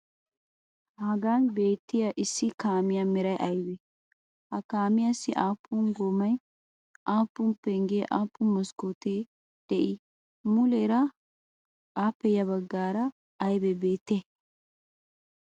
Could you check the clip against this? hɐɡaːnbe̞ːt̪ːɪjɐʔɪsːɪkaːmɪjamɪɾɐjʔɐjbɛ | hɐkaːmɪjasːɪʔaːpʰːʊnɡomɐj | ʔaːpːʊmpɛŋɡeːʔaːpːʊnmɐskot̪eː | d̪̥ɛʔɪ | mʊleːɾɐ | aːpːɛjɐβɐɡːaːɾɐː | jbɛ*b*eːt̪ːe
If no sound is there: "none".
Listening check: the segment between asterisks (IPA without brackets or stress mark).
b